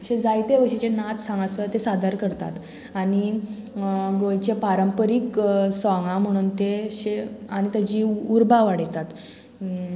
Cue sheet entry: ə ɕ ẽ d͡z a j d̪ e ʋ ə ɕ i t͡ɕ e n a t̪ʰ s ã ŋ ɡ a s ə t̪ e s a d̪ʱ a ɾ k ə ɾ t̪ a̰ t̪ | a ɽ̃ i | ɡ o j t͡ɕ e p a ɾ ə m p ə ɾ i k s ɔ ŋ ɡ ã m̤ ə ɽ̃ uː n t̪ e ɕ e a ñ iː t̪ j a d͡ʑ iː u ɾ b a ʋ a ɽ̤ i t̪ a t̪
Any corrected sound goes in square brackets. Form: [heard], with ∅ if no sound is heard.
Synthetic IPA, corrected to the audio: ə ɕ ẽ d͡z a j [t̪] e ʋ ə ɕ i t͡ɕ e n a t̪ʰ s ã ŋ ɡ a s ə t̪ e s a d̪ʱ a ɾ k ə ɾ t̪ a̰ t̪ | a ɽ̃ i | ɡ o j t͡ɕ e p a ɾ ə m p ə ɾ i k s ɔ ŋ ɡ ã m̤ ə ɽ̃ uː n t̪ e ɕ e a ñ [i] t̪ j a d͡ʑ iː u ɾ b a ʋ a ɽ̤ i t̪ a t̪